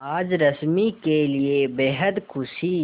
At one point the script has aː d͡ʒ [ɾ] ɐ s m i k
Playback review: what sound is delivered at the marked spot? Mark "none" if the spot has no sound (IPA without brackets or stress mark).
ɾ